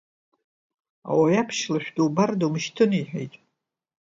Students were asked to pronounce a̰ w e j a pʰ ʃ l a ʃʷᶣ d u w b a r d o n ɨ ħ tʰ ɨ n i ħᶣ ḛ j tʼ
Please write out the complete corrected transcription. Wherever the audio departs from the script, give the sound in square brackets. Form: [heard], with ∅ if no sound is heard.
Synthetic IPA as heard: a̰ w [a] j a pʰ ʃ l a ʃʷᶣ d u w b a r d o [m] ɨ [ʃ] tʰ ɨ n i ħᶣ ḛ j tʼ